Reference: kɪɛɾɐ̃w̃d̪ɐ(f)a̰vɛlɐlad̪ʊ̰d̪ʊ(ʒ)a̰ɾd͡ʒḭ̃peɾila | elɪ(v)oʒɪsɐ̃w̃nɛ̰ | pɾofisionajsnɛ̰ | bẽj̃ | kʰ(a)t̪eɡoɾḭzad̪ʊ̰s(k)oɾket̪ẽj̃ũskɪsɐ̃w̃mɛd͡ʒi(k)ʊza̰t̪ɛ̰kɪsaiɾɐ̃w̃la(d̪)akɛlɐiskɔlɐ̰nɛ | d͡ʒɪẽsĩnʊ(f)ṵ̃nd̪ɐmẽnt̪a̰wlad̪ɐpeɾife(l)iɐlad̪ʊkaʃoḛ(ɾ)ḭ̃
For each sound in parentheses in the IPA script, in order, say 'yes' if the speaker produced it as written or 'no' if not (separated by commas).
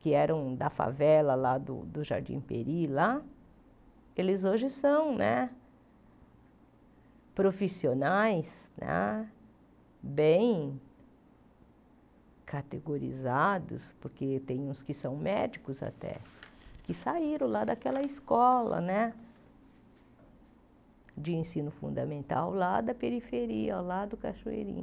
yes, yes, no, yes, no, yes, yes, yes, no, yes